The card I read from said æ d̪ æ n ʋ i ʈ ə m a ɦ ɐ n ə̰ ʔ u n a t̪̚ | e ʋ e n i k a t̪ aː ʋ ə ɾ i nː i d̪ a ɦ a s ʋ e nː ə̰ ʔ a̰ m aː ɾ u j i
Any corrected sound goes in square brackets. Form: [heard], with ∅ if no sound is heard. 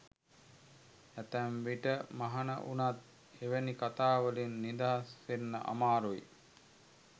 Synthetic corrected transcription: æ [t̪] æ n ʋ i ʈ ə m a ɦ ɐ n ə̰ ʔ u n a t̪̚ | e ʋ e n i k a t̪ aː ʋ ə [l] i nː i d̪ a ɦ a s ʋ e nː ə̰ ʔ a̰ m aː ɾ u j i